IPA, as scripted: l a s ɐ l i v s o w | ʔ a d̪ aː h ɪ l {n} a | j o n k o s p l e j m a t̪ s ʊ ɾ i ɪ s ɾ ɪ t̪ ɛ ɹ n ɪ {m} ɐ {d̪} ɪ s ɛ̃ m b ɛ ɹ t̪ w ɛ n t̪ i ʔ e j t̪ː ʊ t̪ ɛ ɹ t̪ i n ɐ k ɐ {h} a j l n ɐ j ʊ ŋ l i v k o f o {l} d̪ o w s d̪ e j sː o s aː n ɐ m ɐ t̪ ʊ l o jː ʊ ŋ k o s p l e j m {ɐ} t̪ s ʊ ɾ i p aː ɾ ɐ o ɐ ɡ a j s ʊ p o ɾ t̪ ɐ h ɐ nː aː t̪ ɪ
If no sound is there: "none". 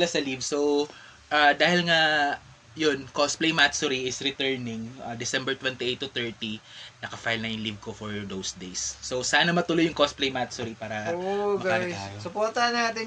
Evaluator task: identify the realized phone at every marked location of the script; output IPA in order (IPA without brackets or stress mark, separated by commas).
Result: ŋ, ŋ, d̪, f, ɹ, a